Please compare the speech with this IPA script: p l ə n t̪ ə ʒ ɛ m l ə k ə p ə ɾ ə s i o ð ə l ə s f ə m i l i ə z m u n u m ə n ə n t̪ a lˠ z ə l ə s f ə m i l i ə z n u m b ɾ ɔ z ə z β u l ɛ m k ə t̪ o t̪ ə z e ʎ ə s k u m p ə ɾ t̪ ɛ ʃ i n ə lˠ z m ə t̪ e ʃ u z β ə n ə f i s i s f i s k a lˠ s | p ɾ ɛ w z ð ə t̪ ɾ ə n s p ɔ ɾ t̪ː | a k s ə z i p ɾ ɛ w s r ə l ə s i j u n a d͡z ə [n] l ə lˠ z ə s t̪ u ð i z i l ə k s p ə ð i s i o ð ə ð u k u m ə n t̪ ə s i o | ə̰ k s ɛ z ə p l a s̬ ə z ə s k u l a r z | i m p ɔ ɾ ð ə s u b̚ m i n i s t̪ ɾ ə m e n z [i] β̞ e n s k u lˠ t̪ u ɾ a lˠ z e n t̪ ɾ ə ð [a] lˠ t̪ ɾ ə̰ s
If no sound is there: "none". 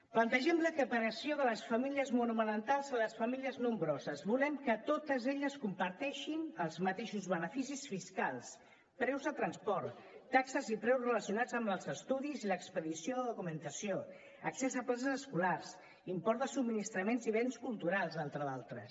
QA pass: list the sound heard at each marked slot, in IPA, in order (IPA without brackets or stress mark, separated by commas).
m, i, a